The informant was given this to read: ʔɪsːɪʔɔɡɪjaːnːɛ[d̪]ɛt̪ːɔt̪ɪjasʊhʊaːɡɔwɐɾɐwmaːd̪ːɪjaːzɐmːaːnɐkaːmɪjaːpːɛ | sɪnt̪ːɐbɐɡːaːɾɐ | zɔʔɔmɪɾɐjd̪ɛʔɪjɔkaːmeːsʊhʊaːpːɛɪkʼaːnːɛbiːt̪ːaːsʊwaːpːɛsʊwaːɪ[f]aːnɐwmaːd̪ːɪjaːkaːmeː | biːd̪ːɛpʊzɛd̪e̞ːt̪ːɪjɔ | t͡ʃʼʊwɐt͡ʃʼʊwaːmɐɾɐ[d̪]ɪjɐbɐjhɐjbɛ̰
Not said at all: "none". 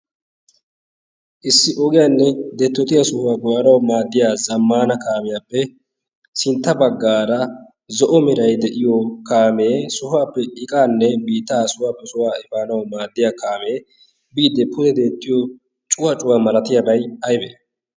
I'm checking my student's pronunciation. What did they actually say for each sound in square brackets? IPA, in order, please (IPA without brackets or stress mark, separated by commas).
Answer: d̪, f, t̪